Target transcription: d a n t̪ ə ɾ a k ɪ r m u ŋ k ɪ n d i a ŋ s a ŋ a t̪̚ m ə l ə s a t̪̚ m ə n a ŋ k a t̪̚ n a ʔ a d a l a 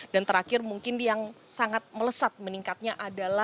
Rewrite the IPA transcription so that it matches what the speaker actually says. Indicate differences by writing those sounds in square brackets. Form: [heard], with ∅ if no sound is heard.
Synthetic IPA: d a n t̪ ə ɾ a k ɪ r m u ŋ k ɪ n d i a ŋ s a ŋ a t̪̚ m ə l ə s a t̪̚ m ə n [i] ŋ k a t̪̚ [ɲ] a ʔ a d a l a